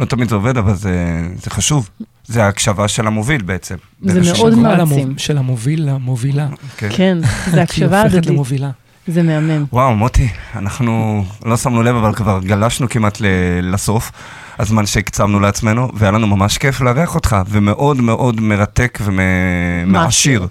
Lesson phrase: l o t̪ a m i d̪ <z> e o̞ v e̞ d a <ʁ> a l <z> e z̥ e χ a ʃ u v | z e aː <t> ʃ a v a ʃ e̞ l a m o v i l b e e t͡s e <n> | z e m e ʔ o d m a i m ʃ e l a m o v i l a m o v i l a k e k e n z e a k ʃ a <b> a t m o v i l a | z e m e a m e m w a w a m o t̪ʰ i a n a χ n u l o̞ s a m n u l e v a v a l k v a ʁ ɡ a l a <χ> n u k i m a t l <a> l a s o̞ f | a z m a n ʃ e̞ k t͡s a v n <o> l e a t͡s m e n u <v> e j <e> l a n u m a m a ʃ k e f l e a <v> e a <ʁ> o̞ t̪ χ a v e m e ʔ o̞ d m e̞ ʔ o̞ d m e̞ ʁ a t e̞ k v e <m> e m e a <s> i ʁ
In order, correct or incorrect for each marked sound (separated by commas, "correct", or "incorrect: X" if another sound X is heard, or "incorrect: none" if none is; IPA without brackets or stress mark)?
correct, incorrect: v, correct, incorrect: k, incorrect: m, incorrect: v, incorrect: ʃ, incorrect: e, incorrect: u, correct, incorrect: a, incorrect: ʁ, incorrect: χ, correct, incorrect: ʃ